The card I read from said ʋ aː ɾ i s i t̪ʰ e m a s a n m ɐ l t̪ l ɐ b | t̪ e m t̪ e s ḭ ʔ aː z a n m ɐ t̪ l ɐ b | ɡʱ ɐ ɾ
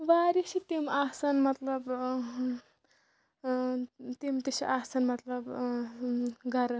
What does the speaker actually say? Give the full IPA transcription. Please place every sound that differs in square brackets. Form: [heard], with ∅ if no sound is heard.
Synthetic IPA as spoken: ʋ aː ɾ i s i [t̪] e m a s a n m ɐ [∅] t̪ l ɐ b | t̪ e m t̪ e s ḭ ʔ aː [s] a n m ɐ t̪ l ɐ b | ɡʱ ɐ ɾ